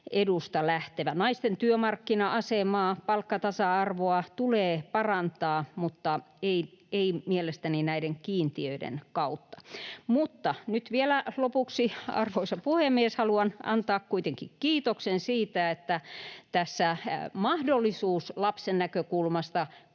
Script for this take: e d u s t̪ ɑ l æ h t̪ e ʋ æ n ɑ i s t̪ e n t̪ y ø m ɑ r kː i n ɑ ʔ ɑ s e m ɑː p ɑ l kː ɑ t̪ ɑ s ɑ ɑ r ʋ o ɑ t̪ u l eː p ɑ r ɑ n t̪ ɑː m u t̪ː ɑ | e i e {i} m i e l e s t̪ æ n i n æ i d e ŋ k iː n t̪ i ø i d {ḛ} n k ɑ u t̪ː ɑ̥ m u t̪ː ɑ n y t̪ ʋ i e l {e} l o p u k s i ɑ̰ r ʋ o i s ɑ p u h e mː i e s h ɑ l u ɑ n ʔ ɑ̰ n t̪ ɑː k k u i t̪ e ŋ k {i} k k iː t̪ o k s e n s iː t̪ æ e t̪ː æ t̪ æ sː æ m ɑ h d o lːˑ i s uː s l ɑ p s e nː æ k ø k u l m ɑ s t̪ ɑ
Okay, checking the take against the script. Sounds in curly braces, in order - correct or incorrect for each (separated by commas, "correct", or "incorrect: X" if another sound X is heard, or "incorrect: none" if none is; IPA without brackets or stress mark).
correct, correct, incorrect: æ, correct